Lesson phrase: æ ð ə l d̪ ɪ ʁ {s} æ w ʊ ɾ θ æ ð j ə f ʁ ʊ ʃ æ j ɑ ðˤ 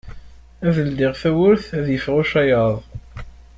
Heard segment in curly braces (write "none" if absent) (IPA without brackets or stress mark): θ